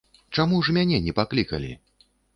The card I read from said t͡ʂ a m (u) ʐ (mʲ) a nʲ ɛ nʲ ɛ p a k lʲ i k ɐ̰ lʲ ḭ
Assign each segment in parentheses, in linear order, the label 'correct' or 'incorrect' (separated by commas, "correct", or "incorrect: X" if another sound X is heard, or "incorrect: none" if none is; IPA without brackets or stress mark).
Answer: correct, correct